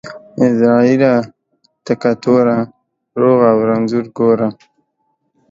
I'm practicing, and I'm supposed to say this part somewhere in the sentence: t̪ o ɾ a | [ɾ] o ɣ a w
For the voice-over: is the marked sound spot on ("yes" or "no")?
yes